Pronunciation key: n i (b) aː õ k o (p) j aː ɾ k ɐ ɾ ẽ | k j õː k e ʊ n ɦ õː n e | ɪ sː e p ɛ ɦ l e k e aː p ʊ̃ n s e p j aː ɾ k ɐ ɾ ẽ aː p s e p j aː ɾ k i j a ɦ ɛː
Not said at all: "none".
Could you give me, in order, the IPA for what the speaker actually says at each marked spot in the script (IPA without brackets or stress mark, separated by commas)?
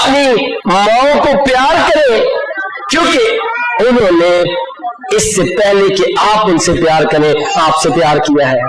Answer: m, p